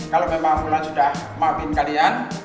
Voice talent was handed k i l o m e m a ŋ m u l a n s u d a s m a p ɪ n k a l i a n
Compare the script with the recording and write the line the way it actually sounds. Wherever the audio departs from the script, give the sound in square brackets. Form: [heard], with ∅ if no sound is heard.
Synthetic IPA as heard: k [a] l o m e m a ŋ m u l a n s u d a [h] m a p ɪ n k a l i a n